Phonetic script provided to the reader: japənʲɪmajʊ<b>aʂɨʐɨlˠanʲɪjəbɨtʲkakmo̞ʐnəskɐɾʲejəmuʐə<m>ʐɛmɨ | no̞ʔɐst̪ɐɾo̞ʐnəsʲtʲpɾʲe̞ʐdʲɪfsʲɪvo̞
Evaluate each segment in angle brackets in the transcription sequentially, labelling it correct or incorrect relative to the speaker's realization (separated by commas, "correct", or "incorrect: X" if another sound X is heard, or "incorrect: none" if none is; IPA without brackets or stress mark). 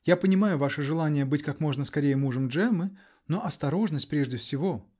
incorrect: v, correct